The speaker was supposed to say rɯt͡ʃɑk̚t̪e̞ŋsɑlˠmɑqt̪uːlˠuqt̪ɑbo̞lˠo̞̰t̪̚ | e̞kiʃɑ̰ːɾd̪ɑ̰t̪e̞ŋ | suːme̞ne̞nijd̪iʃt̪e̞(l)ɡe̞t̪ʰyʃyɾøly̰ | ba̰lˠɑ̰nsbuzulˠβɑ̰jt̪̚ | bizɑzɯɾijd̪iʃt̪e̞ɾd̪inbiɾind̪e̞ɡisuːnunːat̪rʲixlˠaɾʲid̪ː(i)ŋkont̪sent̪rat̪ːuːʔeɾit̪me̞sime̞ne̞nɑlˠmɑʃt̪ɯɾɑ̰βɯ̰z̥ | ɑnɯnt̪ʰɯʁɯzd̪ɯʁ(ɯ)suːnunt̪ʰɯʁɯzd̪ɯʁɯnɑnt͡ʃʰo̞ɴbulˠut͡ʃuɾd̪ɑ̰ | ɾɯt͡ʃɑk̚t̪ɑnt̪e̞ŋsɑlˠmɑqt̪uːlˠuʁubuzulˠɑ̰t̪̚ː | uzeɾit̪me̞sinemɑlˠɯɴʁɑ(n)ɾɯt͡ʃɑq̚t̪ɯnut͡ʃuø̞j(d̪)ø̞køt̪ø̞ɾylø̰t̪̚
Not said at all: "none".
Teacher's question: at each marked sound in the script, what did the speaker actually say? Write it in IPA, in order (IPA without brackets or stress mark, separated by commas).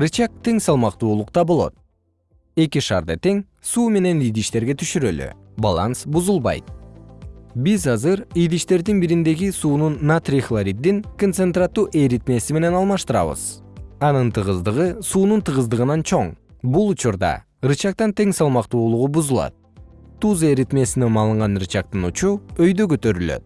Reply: ɾ, i, ɯ, n, d̪